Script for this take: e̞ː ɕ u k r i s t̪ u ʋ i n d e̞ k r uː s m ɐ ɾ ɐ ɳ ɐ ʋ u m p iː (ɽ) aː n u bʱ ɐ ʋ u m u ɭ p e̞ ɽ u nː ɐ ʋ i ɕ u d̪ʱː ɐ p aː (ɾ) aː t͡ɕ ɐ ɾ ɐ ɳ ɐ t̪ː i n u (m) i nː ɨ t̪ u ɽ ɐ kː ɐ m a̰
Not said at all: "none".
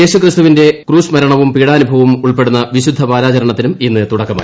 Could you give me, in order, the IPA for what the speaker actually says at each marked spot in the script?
ɽ, ɾ, m

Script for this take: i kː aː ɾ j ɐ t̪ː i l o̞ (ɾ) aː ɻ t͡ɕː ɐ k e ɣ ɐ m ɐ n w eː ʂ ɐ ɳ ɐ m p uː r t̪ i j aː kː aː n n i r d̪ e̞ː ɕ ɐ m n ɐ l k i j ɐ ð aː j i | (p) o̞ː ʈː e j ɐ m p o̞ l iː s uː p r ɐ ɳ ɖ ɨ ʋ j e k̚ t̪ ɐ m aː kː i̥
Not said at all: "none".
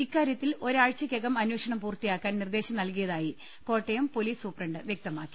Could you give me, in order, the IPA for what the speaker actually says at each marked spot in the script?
ɾ, k

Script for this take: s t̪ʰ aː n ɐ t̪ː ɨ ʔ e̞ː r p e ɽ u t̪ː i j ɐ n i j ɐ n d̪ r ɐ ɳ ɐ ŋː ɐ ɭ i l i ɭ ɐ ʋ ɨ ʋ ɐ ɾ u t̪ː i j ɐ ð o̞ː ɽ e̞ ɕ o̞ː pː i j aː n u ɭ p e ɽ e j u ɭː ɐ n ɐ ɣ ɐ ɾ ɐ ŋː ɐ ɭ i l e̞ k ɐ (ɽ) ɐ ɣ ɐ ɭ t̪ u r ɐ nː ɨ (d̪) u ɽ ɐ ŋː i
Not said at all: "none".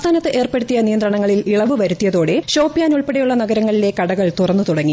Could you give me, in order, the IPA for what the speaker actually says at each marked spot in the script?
ɽ, t̪

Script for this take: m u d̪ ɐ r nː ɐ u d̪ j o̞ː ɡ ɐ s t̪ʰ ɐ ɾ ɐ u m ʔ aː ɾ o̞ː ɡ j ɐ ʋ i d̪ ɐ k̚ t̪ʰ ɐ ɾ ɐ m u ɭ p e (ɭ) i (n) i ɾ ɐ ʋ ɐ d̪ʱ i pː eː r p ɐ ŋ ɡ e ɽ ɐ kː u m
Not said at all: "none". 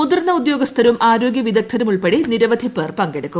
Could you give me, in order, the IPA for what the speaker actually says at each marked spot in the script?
ɽ, n

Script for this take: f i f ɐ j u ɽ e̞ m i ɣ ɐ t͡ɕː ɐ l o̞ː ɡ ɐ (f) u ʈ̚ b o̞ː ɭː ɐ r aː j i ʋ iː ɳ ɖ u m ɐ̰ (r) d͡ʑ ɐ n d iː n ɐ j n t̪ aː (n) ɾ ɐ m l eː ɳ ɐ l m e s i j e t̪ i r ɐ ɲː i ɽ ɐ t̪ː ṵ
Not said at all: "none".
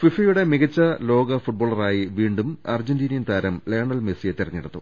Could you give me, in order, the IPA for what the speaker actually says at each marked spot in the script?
f, r, none

